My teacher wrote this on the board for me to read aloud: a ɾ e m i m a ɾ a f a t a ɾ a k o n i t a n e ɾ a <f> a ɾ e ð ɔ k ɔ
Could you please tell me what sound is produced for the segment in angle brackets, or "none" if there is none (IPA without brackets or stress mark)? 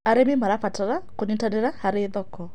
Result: h